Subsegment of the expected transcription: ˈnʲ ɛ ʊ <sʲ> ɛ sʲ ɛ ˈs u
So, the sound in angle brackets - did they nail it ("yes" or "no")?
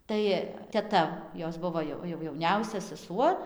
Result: yes